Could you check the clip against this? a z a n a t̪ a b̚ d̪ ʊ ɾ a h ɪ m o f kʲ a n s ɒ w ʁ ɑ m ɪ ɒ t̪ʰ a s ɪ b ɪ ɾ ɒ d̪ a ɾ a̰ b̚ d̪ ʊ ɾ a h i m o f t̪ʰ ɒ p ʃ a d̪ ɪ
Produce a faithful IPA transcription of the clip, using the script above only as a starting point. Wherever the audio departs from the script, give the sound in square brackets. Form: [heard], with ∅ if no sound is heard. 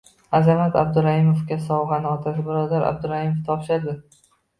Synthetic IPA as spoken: a z a [m] a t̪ a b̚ d̪ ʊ ɾ a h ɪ m o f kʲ a [∅] s ɒ w ʁ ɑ [n] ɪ ɒ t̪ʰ a s ɪ b ɪ ɾ ɒ d̪ a ɾ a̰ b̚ d̪ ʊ ɾ a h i m o f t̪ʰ ɒ p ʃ a d̪ ɪ